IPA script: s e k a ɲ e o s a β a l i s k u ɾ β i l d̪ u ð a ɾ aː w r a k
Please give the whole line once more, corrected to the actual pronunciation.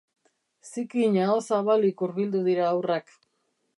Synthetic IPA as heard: s i k i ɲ a o s a β a l i k u ɾ β i l d̪ u ð i ɾ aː w r a k